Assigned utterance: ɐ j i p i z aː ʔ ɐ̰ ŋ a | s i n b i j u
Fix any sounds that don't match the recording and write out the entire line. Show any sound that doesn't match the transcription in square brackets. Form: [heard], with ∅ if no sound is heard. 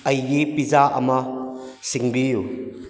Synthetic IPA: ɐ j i p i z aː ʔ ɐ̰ [m] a | s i [ŋ] b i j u